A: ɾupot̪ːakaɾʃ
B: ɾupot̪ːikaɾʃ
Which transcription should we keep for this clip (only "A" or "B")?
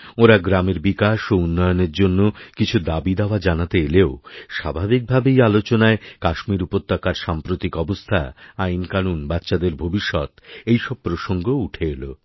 A